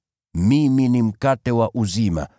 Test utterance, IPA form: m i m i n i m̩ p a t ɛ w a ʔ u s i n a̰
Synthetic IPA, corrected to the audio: m i m i n i m̩ k a t ɛ w a ʔ u z i m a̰